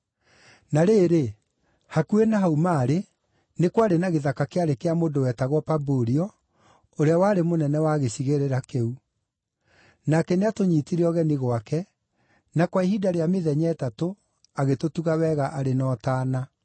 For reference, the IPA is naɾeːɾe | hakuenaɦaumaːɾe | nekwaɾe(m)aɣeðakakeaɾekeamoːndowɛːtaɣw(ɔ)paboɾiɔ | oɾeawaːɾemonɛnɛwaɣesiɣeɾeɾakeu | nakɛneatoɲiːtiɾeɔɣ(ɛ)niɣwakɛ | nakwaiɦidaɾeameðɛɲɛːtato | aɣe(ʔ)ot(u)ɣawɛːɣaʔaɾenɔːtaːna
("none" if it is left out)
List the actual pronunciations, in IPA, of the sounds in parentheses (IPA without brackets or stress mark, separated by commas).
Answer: n, ɔ, ɛ, t, u